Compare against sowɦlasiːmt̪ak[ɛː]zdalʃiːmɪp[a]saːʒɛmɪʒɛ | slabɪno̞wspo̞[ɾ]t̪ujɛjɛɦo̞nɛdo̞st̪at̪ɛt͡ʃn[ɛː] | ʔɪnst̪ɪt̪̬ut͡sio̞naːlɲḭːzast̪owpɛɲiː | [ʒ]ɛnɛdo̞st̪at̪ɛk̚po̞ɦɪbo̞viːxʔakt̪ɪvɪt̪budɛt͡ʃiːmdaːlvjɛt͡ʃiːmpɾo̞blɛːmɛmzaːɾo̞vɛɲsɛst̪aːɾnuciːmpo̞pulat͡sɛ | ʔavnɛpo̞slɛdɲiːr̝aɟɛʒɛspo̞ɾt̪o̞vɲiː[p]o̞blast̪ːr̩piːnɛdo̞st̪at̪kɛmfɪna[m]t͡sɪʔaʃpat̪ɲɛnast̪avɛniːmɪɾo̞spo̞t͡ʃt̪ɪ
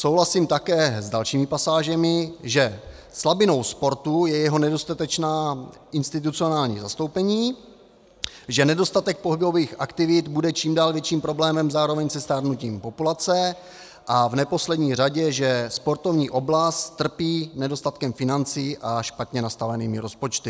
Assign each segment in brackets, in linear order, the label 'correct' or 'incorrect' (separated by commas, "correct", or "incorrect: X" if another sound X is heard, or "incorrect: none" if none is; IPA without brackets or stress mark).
correct, correct, correct, incorrect: aː, correct, incorrect: ʔ, incorrect: n